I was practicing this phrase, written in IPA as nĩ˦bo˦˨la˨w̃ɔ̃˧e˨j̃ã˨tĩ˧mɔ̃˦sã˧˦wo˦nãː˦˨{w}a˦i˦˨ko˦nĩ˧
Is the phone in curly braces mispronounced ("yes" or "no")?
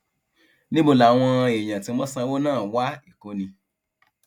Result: no